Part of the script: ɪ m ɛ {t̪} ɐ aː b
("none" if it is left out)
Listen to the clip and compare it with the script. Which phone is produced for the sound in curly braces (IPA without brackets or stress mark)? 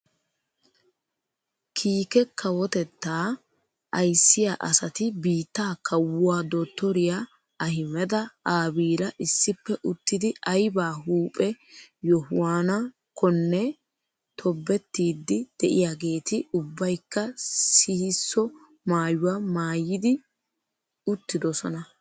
d̪